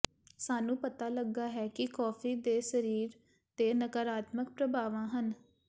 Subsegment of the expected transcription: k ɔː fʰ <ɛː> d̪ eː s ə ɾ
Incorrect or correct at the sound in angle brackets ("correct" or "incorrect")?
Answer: incorrect